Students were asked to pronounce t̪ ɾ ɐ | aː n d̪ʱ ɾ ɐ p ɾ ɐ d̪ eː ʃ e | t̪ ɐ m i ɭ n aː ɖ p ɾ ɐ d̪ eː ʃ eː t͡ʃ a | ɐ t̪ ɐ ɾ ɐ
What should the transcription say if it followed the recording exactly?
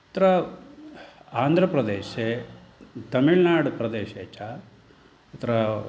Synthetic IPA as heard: t̪ ɾ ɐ | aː n d̪ʱ ɾ ɐ p ɾ ɐ d̪ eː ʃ e | t̪ ɐ m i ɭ n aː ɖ p ɾ ɐ d̪ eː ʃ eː t͡ʃ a | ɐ t̪ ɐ ɾ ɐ